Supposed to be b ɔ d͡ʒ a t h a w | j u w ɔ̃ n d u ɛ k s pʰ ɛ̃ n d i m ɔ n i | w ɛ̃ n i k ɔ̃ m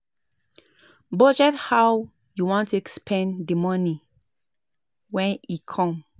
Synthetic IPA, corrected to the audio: b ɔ d͡ʒ ɛ t h a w | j u w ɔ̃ n t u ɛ k s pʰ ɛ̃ n d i m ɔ n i | w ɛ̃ n i kʰ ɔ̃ m